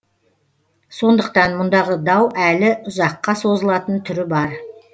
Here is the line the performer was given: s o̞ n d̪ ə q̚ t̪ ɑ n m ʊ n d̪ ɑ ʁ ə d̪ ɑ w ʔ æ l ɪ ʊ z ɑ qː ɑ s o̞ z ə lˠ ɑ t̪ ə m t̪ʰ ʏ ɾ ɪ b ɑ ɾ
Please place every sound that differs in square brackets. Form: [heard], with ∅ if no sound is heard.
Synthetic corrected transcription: s o̞ n d̪ ə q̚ t̪ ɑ n m ʊ n d̪ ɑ ʁ ə d̪ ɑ w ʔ æ l ɪ ʊ z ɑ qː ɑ s o̞ z ə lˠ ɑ t̪ ə [n] t̪ʰ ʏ ɾ ɪ b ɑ ɾ